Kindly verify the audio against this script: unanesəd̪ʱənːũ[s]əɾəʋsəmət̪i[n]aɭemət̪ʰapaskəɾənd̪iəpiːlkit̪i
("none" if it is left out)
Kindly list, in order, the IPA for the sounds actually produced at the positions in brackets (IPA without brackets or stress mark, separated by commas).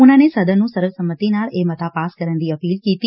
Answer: s, n